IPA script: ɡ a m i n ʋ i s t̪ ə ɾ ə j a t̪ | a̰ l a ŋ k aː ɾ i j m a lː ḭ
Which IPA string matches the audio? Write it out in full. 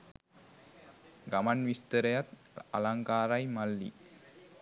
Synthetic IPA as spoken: ɡ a m a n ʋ i s t̪ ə ɾ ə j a t̪ | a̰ l a ŋ k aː ɾ a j m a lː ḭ

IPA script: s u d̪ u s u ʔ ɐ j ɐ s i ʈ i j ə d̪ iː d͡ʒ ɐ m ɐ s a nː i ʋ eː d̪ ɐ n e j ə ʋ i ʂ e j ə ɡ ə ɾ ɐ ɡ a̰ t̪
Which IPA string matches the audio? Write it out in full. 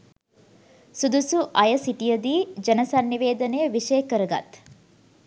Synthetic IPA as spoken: s u d̪ u s u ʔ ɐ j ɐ s i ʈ i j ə d̪ iː d͡ʒ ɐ n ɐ s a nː i ʋ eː d̪ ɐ n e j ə ʋ i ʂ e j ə k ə ɾ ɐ ɡ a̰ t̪

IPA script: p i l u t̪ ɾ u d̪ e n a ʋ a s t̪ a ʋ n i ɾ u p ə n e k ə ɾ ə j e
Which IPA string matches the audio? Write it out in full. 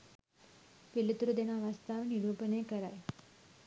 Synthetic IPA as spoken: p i l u t̪ ɾ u d̪ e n a ʋ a s t̪ a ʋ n i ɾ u p ə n e k ə ɾ a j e

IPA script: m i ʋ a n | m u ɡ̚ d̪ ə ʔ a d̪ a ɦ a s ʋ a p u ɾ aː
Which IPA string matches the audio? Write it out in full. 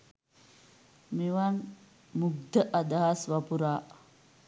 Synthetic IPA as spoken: m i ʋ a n | m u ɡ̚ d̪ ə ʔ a d̪ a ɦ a s ʋ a p u ɾ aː

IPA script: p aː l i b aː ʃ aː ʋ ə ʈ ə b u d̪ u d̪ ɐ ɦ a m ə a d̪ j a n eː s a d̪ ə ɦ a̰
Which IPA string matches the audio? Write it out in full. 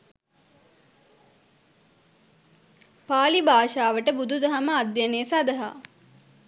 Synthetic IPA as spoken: p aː l i b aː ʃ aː ʋ ə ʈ ə b u d̪ u d̪ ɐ ɦ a m ə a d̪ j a n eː s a d̪ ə ɦ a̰

